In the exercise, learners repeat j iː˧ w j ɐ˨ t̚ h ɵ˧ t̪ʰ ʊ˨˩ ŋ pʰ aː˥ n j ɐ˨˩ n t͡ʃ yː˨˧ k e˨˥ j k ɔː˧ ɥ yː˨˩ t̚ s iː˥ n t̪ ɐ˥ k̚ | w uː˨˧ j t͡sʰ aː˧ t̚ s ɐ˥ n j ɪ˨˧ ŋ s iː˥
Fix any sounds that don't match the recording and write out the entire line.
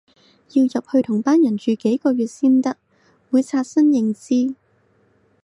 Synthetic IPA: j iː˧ w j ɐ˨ p̚ h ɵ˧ t̪ʰ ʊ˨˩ ŋ p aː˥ n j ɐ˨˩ n t͡ʃ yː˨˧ k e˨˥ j k ɔː˧ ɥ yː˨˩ t̚ s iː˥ n t̪ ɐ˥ k̚ | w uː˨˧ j t͡sʰ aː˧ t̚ s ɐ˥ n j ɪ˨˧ ŋ t͡s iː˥